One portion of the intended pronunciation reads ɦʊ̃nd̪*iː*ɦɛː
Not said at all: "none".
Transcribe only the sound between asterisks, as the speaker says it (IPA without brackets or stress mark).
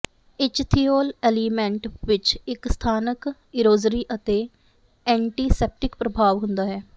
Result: aː